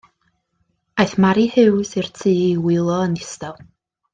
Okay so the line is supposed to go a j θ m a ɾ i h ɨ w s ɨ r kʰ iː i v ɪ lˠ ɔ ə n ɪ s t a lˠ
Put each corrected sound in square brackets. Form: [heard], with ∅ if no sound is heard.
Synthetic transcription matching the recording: a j θ m a ɾ i h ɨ w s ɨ r [tʰ] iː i [w] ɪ lˠ ɔ ə n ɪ s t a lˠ